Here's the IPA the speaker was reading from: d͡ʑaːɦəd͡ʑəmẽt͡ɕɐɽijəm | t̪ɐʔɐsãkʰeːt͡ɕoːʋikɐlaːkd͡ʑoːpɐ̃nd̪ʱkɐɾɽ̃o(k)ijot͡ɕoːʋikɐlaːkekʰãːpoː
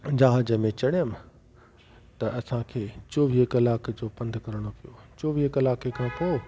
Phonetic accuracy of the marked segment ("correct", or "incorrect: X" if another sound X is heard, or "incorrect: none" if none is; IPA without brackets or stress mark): incorrect: p